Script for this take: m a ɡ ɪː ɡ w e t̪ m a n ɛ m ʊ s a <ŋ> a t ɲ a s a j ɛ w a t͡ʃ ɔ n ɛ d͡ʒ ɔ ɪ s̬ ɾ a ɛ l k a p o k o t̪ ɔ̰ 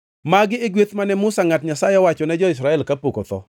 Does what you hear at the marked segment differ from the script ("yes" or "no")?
no